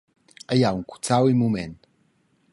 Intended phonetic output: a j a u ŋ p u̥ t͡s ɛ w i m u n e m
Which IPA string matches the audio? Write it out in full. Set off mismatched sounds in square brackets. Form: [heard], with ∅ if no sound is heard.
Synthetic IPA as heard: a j a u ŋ [k] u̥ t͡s [a] w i m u [m] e [n]